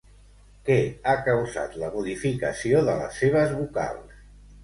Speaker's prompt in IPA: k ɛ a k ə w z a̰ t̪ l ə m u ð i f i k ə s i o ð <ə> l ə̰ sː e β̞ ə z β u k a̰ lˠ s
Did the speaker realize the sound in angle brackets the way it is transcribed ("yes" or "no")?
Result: yes